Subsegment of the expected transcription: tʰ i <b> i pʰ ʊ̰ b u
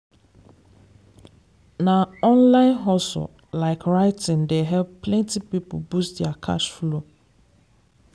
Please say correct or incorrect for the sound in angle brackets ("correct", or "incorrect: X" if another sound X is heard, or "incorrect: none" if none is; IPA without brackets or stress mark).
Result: incorrect: p